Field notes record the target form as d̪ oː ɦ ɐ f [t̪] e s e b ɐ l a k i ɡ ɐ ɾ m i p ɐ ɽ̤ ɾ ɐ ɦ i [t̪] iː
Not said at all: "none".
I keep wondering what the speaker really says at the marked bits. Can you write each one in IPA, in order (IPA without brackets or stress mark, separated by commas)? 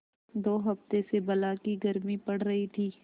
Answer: t̪, t̪ʰ